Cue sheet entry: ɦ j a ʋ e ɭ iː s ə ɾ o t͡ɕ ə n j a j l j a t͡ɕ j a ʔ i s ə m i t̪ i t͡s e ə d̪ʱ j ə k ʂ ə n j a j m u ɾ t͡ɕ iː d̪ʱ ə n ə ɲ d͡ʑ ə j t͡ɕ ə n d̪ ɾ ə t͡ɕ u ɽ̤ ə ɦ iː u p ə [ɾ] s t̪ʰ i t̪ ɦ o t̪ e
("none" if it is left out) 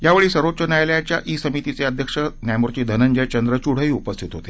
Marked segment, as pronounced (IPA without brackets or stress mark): none